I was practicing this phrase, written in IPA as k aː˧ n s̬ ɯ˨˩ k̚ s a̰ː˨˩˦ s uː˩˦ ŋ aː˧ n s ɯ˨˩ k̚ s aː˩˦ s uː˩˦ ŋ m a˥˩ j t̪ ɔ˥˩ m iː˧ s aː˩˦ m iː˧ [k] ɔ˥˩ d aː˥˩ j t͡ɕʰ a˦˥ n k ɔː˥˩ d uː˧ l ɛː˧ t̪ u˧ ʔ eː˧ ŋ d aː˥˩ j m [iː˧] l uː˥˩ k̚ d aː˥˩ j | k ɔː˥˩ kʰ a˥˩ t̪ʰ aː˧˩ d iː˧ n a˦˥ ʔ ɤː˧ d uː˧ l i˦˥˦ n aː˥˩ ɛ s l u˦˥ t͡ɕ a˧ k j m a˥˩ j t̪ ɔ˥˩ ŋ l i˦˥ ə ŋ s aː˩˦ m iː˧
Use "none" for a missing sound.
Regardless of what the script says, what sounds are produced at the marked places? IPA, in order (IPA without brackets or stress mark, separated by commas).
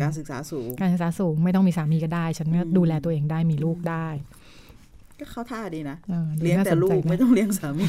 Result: k, iː˧